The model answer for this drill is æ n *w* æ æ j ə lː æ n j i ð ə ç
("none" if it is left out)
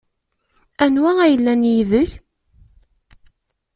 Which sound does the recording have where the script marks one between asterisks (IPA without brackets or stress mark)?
w